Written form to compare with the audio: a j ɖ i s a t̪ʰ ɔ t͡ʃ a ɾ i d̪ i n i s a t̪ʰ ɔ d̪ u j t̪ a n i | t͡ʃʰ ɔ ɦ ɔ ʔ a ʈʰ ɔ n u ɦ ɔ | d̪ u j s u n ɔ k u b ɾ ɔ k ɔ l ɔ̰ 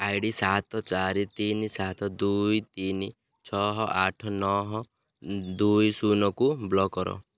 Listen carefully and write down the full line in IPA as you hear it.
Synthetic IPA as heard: a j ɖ i s a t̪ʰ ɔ t͡ʃ a ɾ i t̪ i n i s a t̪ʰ ɔ d̪ u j t̪ i n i | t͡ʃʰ ɔ ɦ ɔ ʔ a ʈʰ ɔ n ɔ ɦ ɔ | d̪ u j s u n ɔ k u b l ɔ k ɔ ɾ ɔ̰

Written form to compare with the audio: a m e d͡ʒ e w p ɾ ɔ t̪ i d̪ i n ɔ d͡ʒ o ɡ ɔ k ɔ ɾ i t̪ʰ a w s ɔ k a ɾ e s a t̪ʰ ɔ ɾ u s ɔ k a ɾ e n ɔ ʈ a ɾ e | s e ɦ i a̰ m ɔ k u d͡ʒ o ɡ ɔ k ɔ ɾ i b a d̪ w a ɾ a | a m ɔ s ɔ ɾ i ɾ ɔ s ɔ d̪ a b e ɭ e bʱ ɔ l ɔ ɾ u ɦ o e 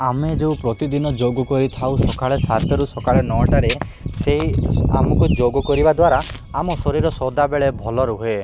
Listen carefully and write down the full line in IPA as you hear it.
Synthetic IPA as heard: a m e d͡ʒ e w p ɾ ɔ t̪ i d̪ i n ɔ d͡ʒ o ɡ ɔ k ɔ ɾ i t̪ʰ a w s ɔ k a ɭ e s a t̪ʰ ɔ ɾ u s ɔ k a ɭ e n ɔ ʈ a ɾ e | s e ɦ i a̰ m ɔ k u d͡ʒ o ɡ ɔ k ɔ ɾ i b a d̪ w a ɾ a | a m ɔ s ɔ ɾ i ɾ ɔ s ɔ d̪ a b e ɭ e bʱ ɔ l ɔ ɾ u ɦ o e

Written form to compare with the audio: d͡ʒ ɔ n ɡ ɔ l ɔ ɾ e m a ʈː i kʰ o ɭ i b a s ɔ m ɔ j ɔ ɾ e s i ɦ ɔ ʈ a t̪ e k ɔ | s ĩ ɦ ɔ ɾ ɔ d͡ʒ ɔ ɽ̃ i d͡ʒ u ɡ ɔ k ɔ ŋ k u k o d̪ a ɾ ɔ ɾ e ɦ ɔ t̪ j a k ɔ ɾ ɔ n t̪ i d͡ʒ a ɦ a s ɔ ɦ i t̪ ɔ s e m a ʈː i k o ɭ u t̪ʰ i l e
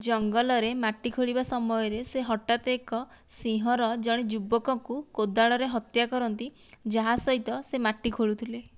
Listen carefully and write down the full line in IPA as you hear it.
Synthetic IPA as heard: d͡ʒ ɔ ŋ ɡ ɔ l ɔ ɾ e m a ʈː i kʰ o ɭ i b a s ɔ m ɔ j ɔ ɾ e s e ɦ ɔ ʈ a t̪ e k ɔ | s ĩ ɦ ɔ ɾ ɔ d͡ʒ ɔ ɽ̃ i d͡ʒ u b ɔ k ɔ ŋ k u k o d̪ a ɭ ɔ ɾ e ɦ ɔ t̪ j a k ɔ ɾ ɔ n t̪ i d͡ʒ a ɦ a s ɔ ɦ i t̪ ɔ s e m a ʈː i kʰ o ɭ u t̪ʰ i l e

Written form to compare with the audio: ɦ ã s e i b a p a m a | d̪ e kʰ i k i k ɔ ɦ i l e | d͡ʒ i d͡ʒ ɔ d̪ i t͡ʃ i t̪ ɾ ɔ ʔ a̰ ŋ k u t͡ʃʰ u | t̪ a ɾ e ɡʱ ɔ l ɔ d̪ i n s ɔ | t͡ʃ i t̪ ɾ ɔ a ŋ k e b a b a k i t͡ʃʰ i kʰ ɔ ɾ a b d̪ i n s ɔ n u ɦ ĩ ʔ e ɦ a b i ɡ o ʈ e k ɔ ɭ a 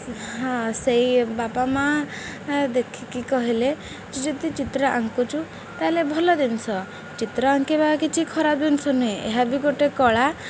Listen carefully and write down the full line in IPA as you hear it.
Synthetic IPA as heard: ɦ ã s e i b a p a m a | d̪ e kʰ i k i k ɔ ɦ i l e | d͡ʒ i d͡ʒ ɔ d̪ i t͡ʃ i t̪ ɾ ɔ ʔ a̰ ŋ k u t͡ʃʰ u | t̪ a l e bʱ ɔ l ɔ d̪ i n s ɔ | t͡ʃ i t̪ ɾ ɔ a ŋ k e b a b a k i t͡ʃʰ i kʰ ɔ ɾ a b d̪ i n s ɔ n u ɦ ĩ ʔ e ɦ a b i ɡ o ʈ e k ɔ ɭ a

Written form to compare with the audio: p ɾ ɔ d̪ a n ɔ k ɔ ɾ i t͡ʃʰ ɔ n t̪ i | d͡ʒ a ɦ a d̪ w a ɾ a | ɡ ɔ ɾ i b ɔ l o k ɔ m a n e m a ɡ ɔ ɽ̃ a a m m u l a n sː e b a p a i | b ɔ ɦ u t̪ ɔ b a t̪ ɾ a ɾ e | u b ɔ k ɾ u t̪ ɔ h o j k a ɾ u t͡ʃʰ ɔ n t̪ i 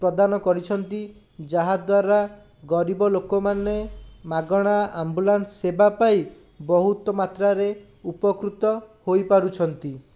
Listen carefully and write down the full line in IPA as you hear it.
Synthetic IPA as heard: p ɾ ɔ d̪ a n ɔ k ɔ ɾ i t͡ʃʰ ɔ n t̪ i | d͡ʒ a ɦ a d̪ w a ɾ a | ɡ ɔ ɾ i b ɔ l o k ɔ m a n e m a ɡ ɔ ɽ̃ a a m b u l a n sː e b a p a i | b ɔ ɦ u t̪ ɔ m a t̪ ɾ a ɾ e | u p ɔ k ɾ u t̪ ɔ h o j p a ɾ u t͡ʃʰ ɔ n t̪ i

